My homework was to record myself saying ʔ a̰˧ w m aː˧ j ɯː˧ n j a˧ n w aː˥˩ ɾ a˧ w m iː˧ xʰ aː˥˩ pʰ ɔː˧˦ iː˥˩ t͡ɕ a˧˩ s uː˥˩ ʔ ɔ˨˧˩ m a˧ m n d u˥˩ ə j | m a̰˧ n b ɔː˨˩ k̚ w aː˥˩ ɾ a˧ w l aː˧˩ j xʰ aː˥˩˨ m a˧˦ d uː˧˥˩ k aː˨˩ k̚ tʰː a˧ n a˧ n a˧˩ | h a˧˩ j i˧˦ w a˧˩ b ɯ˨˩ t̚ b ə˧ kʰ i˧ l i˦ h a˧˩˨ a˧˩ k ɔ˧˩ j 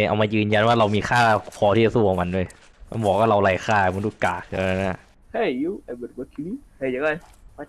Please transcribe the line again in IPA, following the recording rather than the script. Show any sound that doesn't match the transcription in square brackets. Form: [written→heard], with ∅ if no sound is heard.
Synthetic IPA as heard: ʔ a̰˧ w m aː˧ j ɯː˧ n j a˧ n w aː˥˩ ɾ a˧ w m iː˧ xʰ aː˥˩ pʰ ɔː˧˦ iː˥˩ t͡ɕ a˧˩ s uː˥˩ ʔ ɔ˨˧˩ m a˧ [m→∅] n d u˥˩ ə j | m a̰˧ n b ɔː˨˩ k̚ w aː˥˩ ɾ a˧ w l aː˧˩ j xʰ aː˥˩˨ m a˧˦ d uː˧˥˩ k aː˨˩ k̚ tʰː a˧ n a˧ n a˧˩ | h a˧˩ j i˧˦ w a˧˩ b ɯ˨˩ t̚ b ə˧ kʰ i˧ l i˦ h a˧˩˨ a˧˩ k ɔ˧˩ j